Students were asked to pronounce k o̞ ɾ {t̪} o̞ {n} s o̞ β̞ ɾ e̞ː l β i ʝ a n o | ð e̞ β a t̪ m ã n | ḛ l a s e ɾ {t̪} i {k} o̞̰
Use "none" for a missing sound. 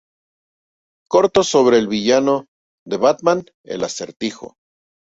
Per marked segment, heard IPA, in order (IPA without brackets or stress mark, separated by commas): t̪, none, t̪, x